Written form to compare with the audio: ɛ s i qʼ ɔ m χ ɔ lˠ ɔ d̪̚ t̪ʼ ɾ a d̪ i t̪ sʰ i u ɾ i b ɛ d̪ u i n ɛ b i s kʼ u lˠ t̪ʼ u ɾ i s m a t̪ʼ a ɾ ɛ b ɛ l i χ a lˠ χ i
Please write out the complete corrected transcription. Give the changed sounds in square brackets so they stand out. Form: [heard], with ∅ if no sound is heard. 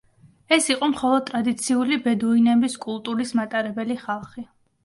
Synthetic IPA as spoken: ɛ s i qʼ ɔ m χ ɔ lˠ ɔ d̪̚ t̪ʼ ɾ a d̪ i t̪ sʰ i u [l] i b ɛ d̪ u i n ɛ b i s kʼ u lˠ t̪ʼ u ɾ i s m a t̪ʼ a ɾ ɛ b ɛ l i χ a lˠ χ i